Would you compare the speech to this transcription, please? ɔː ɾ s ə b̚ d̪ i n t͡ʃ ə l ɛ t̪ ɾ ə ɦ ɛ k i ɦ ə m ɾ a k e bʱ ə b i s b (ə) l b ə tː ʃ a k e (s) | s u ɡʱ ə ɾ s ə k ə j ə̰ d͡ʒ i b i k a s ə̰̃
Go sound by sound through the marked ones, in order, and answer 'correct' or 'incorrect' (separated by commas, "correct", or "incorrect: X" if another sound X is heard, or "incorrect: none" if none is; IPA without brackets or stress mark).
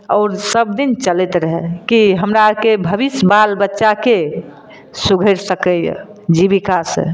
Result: incorrect: a, incorrect: none